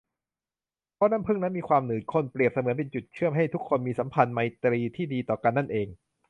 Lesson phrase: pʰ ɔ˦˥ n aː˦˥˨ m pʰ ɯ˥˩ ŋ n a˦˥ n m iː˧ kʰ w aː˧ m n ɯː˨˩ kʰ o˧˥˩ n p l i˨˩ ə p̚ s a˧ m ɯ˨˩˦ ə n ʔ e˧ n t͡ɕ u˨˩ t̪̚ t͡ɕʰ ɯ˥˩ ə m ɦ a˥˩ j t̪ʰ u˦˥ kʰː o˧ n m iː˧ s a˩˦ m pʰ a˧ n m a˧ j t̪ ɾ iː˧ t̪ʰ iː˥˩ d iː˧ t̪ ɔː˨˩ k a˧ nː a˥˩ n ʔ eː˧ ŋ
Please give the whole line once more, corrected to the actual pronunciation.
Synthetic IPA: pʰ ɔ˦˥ n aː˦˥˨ m pʰ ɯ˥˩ ŋ n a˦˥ n m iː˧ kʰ w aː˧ m n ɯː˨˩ kʰ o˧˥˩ n p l i˨˩ ə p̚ s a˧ m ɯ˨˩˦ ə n p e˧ n t͡ɕ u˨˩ t̪̚ t͡ɕʰ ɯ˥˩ ə m ɦ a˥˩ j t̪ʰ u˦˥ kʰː o˧ n m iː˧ s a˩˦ m pʰ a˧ n m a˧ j t̪ ɾ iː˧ t̪ʰ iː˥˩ d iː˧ t̪ ɔː˨˩ k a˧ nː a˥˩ n ʔ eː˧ ŋ